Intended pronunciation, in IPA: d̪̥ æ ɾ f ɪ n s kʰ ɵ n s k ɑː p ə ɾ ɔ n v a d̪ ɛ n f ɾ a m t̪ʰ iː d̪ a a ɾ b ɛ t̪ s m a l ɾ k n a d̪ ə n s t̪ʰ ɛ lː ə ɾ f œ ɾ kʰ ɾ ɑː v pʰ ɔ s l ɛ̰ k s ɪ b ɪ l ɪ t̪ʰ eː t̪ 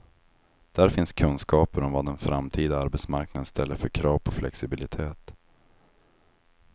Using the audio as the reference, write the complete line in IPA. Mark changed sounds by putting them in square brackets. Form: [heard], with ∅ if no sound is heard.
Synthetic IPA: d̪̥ æ ɾ f ɪ n s kʰ ɵ n s k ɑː p ə ɾ ɔ [m] v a d̪ ɛ n f ɾ a m t̪ʰ iː d̪ a a ɾ b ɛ t̪ s m a [∅] ɾ k n a d̪ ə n s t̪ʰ ɛ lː ə ɾ f œ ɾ kʰ ɾ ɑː v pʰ ɔ [f] l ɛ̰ k s ɪ b ɪ l ɪ t̪ʰ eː t̪